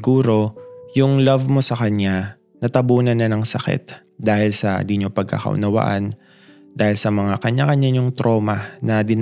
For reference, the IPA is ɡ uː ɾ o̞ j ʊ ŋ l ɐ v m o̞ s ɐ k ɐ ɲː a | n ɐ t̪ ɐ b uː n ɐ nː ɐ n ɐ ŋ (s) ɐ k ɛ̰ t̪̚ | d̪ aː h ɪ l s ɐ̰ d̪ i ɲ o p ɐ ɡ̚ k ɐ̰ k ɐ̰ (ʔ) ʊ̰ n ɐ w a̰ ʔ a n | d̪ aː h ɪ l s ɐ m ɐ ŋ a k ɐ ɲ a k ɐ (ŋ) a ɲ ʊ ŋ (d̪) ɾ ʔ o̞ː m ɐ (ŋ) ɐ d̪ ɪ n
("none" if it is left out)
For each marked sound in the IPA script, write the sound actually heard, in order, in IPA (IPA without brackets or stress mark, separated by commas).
s, ʔ, ɲ, t̪, n